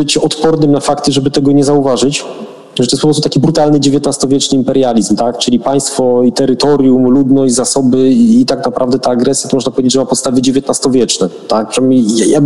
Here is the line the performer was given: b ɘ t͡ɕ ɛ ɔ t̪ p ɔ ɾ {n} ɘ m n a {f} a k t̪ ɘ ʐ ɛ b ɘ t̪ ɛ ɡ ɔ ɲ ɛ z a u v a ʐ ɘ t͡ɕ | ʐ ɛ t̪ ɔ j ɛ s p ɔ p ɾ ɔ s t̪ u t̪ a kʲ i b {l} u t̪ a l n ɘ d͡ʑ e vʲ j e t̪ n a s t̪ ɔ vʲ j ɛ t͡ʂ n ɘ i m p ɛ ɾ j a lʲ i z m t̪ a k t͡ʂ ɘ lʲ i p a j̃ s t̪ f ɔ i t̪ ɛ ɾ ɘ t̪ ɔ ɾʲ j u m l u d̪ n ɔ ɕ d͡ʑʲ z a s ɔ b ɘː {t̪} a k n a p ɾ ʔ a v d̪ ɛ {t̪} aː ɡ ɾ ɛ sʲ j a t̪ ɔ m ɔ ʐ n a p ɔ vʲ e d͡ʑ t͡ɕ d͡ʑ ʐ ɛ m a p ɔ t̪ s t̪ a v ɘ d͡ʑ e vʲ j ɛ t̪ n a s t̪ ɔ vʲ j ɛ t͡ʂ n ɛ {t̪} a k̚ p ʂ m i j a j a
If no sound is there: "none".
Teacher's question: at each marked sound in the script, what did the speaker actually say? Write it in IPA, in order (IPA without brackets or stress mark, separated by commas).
n, f, ɾ, t̪, t̪, t̪